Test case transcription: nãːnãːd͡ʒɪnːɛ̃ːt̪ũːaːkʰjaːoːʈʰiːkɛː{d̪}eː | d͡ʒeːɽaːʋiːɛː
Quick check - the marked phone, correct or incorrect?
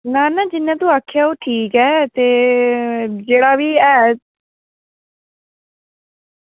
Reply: incorrect